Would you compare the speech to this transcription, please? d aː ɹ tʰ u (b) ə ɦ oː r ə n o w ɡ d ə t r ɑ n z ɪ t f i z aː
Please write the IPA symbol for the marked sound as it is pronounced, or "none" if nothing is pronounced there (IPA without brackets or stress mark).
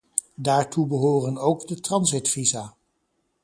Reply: b